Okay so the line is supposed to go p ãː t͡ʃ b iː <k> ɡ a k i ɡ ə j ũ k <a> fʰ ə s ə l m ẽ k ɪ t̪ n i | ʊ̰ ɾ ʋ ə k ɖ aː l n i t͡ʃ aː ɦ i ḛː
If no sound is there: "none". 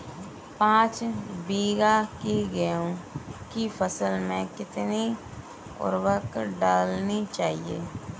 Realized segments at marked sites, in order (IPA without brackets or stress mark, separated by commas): none, i